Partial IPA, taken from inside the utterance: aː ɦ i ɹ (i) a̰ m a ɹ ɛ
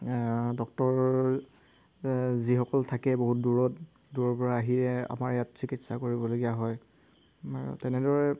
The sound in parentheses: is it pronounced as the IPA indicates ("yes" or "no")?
no